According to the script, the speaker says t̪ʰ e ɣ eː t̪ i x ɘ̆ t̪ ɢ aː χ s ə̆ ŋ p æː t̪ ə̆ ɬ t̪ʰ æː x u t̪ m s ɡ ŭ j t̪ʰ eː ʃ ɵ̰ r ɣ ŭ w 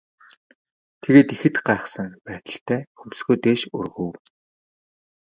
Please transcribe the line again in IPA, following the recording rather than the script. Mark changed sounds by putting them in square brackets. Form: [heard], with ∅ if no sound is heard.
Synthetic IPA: t̪ʰ e ɣ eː t̪ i x ɘ̆ t̪ ɢ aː χ s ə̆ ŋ p æː t̪ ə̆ ɬ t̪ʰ æː x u [∅] m s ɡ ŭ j [t̪] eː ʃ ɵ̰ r ɣ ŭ w